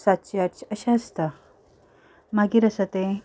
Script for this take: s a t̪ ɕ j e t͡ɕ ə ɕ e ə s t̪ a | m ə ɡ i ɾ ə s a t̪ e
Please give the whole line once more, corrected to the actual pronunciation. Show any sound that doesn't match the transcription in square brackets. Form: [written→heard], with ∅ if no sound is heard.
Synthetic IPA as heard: s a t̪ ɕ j [e→a] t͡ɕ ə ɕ [e→a] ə s t̪ a | m [ə→a] ɡ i ɾ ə s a t̪ e